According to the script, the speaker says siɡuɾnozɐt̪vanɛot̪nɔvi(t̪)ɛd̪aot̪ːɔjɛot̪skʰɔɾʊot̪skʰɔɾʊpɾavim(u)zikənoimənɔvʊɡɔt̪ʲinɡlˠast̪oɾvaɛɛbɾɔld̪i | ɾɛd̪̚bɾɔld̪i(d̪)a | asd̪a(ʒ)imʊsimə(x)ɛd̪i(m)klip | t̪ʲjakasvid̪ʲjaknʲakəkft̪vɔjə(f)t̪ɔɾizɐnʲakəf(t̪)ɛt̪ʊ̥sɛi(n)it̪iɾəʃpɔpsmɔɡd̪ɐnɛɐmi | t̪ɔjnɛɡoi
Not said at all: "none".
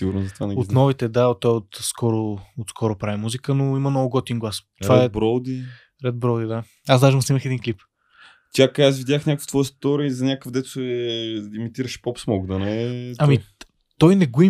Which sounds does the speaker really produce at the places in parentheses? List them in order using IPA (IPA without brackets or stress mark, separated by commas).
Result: t̪, u, d̪, ʒ, x, n, s, d̪, m